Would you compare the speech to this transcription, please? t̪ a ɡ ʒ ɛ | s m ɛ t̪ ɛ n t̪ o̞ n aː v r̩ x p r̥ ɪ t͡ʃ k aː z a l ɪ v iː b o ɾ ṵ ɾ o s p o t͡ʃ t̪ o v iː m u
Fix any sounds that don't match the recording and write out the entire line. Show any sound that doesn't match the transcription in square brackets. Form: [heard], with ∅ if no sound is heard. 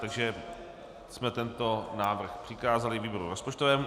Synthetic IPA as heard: t̪ a ɡ ʒ ɛ | s m ɛ t̪ ɛ n t̪ o̞ n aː v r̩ x p r̥ ɪ [∅] k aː z a l ɪ v iː b o ɾ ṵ ɾ o s p o t͡ʃ t̪ o v [ɛː] m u